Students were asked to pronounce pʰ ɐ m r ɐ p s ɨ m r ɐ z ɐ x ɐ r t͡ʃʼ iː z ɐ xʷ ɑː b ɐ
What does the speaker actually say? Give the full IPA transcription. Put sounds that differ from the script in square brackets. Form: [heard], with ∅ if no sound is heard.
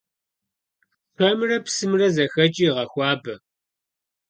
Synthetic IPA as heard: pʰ ɐ m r ɐ p s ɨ m r ɐ z ɐ x ɐ [∅] t͡ʃʼ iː [ʁ] ɐ xʷ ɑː b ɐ